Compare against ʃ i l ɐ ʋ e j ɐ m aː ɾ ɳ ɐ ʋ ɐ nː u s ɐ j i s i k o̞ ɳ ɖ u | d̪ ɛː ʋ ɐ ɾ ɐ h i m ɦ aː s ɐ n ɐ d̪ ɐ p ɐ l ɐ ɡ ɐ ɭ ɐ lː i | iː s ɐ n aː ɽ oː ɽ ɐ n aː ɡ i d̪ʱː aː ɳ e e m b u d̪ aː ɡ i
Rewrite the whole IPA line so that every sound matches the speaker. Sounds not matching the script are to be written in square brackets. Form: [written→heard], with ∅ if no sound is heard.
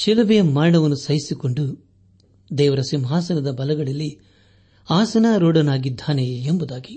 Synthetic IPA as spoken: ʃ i l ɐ ʋ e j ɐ m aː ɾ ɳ ɐ ʋ ɐ nː u s ɐ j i s i k o̞ ɳ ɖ u | d̪ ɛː ʋ ɐ ɾ ɐ [h→s] i m ɦ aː s ɐ n ɐ d̪ ɐ [p→b] ɐ l ɐ ɡ ɐ ɭ ɐ lː i | [iː→aː] s ɐ n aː [ɽ→ɾ] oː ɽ ɐ n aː ɡ i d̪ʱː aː [ɳ→n] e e m b u d̪ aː ɡ i